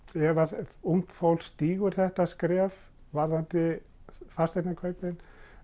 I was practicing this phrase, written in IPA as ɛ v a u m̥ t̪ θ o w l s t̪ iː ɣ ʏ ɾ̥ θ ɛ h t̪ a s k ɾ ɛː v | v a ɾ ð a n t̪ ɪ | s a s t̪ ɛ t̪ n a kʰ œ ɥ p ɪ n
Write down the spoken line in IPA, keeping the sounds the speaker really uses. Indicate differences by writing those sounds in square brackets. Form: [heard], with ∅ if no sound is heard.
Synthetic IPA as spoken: ɛ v a u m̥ t̪ [f] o w l s t̪ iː ɣ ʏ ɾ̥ θ ɛ h t̪ a s k ɾ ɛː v | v a ɾ ð a n t̪ ɪ | [f] a s t̪ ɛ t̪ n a kʰ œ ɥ p ɪ n